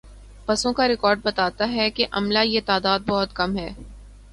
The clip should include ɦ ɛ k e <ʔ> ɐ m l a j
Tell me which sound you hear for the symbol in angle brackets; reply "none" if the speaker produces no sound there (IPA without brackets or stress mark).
ʔ